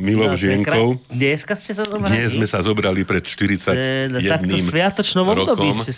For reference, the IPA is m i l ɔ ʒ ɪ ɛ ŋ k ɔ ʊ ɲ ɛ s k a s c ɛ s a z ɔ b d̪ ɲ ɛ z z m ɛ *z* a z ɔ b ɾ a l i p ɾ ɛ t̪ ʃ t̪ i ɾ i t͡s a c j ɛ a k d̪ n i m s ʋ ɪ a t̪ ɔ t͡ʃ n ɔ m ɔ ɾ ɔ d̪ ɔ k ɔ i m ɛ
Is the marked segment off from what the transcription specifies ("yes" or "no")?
yes